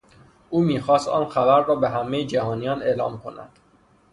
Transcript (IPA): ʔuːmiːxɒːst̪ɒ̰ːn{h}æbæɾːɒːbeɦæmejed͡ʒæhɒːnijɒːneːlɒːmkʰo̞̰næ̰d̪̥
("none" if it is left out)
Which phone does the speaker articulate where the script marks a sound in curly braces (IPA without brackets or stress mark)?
x